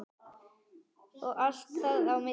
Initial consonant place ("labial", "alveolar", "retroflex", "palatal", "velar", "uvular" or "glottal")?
velar